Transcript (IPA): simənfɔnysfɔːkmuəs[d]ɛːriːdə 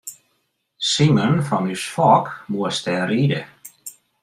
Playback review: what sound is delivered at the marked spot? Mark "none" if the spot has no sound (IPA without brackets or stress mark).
t